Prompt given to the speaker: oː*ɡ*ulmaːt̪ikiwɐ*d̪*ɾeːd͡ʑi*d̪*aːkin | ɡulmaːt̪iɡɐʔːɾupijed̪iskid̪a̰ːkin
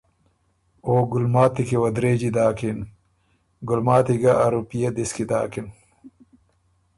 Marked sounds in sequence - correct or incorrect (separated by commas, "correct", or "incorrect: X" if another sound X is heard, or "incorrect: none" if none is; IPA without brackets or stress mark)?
correct, correct, correct